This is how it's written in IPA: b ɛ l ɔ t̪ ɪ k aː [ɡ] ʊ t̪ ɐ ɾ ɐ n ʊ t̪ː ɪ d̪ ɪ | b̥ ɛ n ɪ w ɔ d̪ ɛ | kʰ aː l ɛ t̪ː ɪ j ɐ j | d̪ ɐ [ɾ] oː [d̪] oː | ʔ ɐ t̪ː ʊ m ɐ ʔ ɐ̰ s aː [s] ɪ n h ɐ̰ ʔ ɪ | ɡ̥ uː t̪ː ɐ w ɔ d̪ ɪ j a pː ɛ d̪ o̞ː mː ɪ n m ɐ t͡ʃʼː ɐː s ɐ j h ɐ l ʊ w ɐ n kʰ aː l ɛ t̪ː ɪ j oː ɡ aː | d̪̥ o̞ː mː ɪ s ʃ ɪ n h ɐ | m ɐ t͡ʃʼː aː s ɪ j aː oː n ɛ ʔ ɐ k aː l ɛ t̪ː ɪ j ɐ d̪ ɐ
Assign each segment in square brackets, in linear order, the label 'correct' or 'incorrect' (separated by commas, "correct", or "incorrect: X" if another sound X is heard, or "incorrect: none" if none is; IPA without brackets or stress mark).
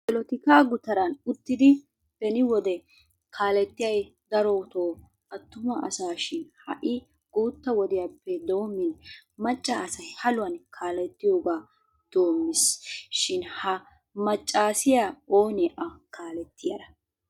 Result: correct, correct, incorrect: t̪, incorrect: ʃ